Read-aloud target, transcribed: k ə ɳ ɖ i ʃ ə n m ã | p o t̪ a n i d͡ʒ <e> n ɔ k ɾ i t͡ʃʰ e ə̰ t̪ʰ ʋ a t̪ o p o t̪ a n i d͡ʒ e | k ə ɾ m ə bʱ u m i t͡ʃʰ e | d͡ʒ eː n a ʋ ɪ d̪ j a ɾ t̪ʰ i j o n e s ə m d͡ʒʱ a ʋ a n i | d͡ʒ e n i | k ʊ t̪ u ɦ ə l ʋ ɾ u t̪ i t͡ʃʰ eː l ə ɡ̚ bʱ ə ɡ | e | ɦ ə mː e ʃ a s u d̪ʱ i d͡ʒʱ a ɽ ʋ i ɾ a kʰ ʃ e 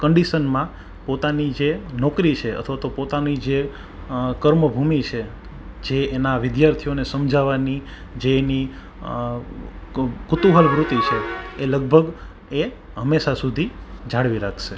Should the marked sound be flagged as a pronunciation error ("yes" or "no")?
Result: no